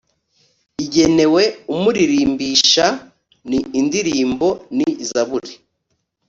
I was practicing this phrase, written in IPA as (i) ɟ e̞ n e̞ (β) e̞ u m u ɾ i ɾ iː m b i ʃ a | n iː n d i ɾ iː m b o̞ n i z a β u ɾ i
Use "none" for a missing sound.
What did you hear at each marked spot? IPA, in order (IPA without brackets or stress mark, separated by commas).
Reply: i, w